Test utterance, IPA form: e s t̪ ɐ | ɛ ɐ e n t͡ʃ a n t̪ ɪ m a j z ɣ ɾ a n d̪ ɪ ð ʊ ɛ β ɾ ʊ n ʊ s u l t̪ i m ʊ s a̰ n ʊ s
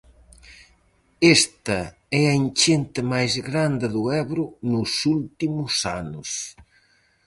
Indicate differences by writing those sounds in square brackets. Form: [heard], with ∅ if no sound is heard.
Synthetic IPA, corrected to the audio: e s t̪ ɐ | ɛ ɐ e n t͡ʃ [e] n t̪ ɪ m a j z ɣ ɾ a n d̪ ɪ ð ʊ ɛ β ɾ ʊ n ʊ s u l t̪ i m ʊ s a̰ n ʊ s